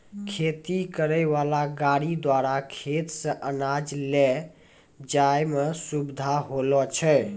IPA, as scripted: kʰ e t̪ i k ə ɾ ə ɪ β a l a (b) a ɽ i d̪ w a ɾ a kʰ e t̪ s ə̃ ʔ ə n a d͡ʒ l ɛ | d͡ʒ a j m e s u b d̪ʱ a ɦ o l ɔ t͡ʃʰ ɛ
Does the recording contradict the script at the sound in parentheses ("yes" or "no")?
yes